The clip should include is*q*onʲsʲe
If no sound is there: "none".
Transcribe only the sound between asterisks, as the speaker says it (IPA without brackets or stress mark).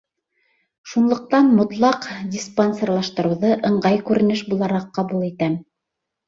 p